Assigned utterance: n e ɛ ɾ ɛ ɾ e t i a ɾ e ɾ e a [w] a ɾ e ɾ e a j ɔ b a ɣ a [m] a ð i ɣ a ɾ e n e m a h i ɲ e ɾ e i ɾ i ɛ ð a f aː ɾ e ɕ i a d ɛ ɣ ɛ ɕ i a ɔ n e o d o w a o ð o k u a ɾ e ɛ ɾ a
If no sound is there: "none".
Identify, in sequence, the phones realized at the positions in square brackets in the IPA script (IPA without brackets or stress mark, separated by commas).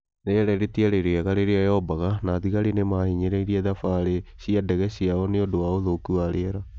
ɣ, n